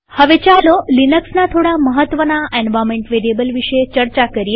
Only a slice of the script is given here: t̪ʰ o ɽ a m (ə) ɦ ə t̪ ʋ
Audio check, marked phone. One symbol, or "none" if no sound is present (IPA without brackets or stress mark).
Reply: ə